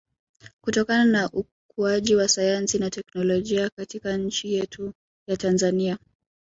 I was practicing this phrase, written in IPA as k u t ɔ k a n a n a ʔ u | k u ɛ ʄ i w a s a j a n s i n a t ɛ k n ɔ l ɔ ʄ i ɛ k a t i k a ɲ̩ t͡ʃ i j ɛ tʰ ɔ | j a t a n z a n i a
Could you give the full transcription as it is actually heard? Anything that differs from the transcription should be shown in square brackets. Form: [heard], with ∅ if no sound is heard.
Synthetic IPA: k u t ɔ k a n a n a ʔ u | k u [a] ʄ i w a s a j a n s i n a t ɛ k n ɔ l ɔ ʄ i [a] k a t i k a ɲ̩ t͡ʃ i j ɛ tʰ [u] | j a t a n z a n i a